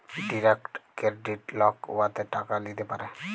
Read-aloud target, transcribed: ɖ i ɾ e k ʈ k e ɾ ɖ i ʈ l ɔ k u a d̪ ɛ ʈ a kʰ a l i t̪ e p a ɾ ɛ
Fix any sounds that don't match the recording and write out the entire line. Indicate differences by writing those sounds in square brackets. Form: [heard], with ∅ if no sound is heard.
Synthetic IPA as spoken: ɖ i ɾ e k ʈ k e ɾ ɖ i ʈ l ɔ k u a [t̪] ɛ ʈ a [k] a l i t̪ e p a ɾ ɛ